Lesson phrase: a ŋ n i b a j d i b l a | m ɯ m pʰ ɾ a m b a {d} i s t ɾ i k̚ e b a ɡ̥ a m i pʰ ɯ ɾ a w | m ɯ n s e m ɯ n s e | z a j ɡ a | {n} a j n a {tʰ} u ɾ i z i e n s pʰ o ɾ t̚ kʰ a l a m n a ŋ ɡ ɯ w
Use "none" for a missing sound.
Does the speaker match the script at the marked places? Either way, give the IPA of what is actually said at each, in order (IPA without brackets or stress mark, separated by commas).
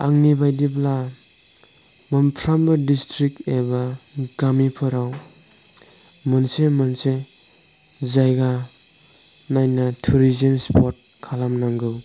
d, n, tʰ